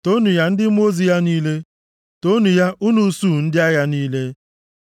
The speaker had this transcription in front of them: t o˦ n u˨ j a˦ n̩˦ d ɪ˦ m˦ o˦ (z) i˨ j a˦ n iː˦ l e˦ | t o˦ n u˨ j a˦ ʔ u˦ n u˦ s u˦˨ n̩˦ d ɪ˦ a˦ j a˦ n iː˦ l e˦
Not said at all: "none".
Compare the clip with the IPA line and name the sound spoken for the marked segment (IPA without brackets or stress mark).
z